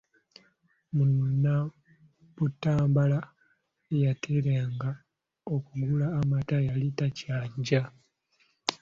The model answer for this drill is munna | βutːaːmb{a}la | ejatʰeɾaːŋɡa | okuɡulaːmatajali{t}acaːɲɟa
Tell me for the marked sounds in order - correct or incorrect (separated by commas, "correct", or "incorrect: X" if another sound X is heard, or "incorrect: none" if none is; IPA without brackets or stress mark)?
correct, correct